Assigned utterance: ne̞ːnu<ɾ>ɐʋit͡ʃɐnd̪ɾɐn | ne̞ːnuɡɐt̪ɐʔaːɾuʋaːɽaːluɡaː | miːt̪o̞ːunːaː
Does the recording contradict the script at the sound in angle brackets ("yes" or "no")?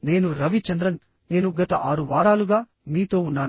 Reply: no